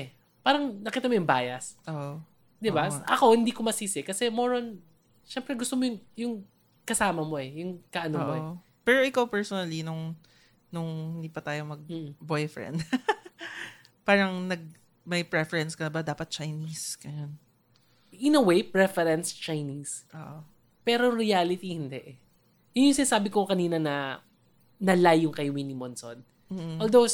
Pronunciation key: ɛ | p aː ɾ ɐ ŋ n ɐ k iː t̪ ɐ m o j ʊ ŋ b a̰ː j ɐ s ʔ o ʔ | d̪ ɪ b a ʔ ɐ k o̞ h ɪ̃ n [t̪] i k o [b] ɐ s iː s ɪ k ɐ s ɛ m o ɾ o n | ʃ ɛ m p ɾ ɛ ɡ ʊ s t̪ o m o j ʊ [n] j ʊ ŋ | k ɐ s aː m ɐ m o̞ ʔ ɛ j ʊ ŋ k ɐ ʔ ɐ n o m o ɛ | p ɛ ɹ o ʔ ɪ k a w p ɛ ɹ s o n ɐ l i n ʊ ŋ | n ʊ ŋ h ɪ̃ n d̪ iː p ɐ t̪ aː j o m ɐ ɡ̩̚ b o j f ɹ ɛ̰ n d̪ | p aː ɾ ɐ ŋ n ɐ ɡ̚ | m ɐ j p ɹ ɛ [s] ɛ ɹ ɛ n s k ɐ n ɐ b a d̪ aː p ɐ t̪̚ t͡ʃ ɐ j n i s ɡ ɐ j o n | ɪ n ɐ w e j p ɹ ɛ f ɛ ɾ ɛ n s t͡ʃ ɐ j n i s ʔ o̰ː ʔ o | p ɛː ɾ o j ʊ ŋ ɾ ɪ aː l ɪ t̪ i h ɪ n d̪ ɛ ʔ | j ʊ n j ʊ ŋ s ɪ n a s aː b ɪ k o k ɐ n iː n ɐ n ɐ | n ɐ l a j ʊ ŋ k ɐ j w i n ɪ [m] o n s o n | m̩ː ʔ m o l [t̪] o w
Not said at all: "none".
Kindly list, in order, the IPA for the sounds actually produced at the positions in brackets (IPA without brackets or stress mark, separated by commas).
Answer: d̪, m, ŋ, f, m, d̪